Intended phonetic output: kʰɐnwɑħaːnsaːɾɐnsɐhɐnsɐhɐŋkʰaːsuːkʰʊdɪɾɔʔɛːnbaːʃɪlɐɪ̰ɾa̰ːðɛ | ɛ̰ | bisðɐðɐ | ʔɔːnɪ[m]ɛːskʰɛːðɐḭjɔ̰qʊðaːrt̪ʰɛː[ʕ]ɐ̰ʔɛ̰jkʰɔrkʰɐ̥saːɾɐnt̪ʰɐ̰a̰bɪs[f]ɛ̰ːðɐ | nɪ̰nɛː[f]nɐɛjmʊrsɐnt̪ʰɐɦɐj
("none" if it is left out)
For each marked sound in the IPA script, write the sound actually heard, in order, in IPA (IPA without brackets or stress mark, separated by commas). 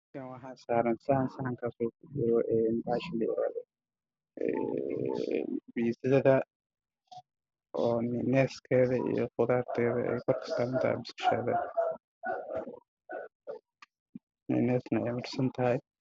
n, ð, ʃ, s